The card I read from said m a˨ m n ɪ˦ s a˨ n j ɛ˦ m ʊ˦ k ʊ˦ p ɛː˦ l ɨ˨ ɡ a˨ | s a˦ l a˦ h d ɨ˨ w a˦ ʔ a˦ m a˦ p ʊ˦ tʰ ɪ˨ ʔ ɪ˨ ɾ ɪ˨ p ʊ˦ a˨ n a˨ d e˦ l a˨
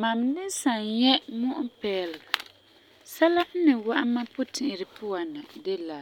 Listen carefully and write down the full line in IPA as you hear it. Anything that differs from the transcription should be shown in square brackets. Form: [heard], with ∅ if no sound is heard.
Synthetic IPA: m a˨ m n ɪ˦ s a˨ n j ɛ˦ m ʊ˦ [ʔ] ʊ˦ p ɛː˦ l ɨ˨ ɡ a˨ | s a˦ l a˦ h [n] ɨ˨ w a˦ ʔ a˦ m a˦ p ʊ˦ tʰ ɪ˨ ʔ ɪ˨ ɾ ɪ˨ p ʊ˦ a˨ n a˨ d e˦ l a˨